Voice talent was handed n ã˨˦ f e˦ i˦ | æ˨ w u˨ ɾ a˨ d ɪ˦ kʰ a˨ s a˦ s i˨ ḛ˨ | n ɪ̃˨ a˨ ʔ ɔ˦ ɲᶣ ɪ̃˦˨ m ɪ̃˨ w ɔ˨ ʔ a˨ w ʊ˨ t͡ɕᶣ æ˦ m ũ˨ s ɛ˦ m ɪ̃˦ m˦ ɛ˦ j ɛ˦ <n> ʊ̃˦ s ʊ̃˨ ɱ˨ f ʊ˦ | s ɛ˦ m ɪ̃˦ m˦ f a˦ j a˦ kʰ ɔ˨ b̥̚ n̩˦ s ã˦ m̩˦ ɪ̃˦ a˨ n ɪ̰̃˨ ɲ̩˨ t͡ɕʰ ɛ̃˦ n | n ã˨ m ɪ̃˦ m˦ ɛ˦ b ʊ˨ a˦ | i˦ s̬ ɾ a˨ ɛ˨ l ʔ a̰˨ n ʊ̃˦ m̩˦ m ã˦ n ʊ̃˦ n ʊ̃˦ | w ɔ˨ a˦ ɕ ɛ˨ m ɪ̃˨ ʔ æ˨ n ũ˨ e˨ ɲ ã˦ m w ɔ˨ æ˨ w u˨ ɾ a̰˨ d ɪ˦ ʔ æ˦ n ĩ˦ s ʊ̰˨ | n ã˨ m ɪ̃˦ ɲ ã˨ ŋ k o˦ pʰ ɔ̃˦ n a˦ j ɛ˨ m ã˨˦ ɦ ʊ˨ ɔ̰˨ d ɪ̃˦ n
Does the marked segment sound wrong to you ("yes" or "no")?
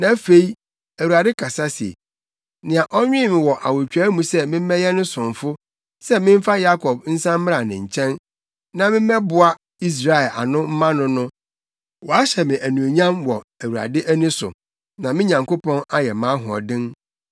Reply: no